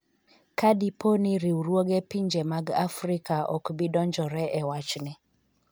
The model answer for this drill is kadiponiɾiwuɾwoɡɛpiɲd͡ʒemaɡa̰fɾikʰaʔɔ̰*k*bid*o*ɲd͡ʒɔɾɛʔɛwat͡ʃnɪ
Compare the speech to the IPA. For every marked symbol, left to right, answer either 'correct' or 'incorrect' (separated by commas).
correct, incorrect